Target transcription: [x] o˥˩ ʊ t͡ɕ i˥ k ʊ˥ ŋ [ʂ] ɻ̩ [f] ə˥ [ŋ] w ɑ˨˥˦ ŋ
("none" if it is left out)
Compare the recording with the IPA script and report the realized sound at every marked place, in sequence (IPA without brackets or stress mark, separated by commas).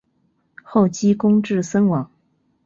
x, ʈ͡ʂ, s, n